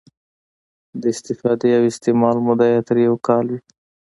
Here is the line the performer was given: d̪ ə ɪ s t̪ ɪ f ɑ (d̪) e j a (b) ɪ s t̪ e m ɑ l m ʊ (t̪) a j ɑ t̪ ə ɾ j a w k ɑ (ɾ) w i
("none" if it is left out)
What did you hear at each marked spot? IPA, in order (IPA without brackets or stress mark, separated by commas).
d̪, w, d̪, l